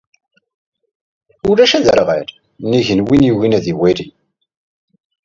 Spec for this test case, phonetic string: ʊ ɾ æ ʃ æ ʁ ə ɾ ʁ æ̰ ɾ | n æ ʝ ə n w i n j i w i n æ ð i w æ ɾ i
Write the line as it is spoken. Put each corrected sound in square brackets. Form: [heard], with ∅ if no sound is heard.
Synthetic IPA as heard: ʊ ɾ æ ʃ æ [ð] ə ɾ ʁ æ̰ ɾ | n [i] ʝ ə n w i n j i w i n æ ð i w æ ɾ i